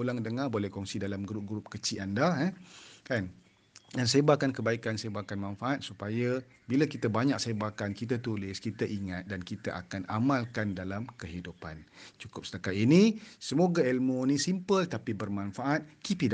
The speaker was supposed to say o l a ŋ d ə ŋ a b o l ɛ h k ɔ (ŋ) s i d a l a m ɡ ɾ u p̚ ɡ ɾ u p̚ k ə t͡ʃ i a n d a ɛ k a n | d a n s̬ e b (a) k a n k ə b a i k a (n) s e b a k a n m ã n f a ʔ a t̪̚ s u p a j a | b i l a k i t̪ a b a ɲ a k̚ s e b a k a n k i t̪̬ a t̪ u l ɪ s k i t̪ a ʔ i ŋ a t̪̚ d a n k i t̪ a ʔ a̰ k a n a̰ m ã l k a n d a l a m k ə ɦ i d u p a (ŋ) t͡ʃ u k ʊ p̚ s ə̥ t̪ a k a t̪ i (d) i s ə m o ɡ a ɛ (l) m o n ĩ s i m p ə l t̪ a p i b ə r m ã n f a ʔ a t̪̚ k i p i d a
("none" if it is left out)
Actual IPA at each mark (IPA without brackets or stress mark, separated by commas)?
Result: ŋ, a, n, n, n, l